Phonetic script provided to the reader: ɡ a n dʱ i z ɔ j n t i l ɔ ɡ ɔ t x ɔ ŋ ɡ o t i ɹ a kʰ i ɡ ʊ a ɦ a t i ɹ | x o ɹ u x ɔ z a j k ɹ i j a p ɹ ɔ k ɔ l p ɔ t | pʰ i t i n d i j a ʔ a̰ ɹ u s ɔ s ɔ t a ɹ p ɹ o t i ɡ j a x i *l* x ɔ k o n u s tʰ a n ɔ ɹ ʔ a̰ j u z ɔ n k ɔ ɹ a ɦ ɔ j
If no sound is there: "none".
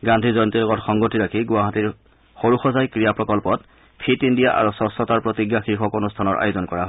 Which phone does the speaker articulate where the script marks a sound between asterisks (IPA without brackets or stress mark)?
ɹ